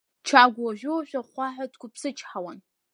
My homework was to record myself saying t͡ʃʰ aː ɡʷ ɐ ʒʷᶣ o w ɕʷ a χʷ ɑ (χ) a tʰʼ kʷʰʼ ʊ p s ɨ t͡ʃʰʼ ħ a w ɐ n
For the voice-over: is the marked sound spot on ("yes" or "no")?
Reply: no